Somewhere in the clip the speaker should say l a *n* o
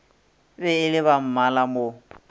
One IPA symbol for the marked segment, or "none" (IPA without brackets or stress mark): m